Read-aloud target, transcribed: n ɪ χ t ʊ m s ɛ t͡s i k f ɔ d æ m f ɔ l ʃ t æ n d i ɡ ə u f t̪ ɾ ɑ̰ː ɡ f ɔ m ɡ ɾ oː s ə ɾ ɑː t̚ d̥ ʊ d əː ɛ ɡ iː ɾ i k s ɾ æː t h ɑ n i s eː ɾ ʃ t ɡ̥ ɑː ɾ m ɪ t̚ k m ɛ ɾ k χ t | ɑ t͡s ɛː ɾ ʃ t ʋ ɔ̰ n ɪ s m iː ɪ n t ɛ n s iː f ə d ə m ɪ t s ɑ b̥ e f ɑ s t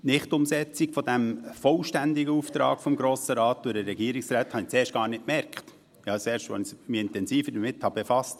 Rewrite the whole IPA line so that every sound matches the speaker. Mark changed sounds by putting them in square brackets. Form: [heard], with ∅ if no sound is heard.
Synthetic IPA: n ɪ χ t ʊ m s ɛ t͡s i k f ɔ d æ m f ɔ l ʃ t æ n d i ɡ ə u f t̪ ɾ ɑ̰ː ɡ f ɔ m ɡ ɾ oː s ə ɾ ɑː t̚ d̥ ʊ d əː ɛ ɡ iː ɾ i k s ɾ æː t h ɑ n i [t͡s] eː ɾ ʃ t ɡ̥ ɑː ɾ [n] ɪ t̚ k m ɛ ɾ k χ t | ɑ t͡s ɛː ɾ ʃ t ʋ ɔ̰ n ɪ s m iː ɪ n t ɛ n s iː f ə d ə m ɪ t [h] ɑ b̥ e f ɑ s t